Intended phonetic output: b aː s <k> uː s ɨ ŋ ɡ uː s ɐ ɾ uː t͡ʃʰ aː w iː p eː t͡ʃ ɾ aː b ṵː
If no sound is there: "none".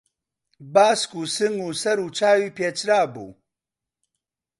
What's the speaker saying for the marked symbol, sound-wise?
k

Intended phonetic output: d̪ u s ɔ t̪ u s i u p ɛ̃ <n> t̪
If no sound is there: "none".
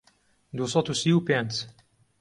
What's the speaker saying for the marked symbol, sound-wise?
n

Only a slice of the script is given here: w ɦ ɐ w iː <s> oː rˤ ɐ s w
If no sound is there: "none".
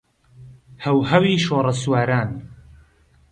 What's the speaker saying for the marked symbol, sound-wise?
ʃ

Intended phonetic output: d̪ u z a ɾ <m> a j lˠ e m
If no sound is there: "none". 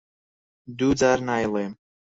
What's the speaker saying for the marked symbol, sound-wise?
n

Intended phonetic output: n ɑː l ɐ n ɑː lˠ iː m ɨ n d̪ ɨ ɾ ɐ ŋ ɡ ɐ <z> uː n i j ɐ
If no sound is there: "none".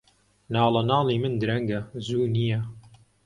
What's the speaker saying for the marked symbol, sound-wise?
z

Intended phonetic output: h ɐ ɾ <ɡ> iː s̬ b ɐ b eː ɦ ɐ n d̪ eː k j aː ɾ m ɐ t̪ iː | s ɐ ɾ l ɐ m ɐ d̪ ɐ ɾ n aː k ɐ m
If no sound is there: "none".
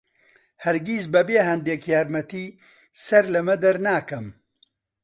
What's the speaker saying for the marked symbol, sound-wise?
ɡ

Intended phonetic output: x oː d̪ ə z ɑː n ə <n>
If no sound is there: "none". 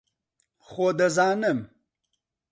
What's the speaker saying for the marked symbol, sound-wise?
m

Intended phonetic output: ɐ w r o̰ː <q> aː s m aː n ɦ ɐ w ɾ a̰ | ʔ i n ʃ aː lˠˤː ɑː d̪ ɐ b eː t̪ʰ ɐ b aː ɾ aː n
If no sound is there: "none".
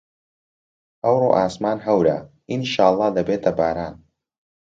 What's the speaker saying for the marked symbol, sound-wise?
ʔ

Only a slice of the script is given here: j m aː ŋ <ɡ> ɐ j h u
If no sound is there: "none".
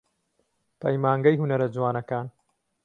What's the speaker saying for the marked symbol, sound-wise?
ɡ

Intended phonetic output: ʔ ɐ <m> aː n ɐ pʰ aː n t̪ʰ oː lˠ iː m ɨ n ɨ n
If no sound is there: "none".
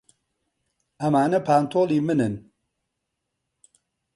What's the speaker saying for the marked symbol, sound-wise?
m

